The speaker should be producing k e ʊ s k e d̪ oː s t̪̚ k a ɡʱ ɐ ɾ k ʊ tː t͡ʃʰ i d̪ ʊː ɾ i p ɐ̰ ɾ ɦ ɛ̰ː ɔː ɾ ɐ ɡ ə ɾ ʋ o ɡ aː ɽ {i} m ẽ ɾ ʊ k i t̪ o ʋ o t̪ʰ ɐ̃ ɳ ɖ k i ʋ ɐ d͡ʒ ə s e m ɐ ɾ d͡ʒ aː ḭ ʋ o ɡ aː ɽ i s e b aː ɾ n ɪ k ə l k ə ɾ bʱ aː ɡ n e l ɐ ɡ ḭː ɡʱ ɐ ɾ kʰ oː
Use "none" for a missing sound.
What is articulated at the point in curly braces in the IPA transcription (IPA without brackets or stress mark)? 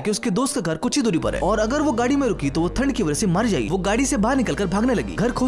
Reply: i